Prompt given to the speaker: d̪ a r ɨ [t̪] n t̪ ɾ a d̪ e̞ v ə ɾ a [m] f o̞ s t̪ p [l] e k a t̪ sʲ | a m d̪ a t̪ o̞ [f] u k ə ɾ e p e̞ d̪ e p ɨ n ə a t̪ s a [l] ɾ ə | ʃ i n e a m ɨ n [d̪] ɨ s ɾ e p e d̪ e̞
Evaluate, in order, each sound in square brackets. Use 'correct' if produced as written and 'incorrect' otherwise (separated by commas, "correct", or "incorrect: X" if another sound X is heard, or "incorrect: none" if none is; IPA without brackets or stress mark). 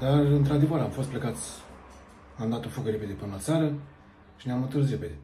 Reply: incorrect: none, correct, correct, correct, incorrect: none, incorrect: t̪